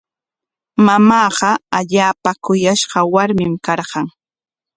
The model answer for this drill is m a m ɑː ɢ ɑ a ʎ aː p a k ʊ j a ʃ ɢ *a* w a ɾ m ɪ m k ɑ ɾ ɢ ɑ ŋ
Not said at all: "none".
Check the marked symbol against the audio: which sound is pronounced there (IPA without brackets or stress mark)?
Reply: ɑ